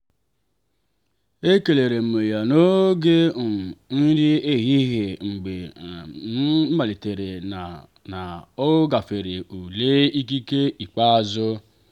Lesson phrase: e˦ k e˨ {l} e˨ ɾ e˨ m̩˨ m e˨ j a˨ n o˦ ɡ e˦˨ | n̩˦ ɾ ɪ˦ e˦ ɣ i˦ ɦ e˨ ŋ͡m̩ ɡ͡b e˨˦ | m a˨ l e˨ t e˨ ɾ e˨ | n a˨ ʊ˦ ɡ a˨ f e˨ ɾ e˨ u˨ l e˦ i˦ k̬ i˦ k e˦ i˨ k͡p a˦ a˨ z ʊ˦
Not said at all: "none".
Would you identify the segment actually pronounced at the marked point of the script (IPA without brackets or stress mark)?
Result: l